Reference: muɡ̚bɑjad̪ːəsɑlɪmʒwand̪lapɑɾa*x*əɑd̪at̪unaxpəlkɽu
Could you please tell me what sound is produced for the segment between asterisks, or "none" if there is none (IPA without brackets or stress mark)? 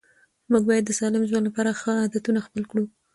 x